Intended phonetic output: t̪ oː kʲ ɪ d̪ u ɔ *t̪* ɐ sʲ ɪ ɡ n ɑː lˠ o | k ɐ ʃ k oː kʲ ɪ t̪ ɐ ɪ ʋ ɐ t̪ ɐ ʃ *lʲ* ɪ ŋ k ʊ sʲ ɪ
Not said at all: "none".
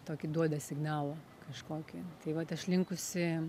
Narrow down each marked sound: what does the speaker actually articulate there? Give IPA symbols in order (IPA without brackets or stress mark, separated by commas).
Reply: d̪, lʲ